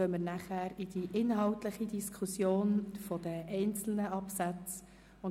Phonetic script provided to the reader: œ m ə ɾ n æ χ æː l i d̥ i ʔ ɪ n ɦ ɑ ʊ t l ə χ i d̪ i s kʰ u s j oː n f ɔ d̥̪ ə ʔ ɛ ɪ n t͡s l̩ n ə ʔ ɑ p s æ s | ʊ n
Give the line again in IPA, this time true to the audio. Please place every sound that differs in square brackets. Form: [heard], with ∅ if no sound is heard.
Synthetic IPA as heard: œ m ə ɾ n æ χ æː [ɾ] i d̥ i ʔ ɪ n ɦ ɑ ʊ t l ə χ i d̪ i s kʰ u s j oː n f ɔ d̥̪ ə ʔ ɛ ɪ n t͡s l̩ n ə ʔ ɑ p s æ [t͡s] | ʊ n